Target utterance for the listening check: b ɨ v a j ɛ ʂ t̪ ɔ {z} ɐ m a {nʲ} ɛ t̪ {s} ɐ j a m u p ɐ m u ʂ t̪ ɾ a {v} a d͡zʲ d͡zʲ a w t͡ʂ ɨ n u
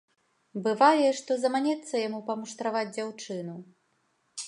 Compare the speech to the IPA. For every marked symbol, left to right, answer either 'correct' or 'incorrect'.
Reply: correct, correct, incorrect: sː, correct

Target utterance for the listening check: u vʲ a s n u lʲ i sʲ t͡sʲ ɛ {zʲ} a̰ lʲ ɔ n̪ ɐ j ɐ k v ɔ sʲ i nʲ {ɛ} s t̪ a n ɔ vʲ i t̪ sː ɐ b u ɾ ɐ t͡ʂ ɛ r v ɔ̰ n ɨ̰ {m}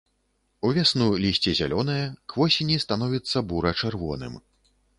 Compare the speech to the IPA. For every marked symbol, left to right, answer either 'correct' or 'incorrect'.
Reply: correct, incorrect: i, correct

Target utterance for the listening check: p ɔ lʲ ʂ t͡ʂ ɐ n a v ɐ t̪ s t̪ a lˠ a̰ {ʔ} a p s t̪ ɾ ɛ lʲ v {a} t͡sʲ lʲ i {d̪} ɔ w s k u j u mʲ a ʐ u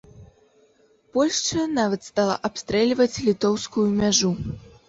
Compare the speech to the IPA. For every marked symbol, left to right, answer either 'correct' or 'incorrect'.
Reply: correct, incorrect: ɐ, incorrect: t̪

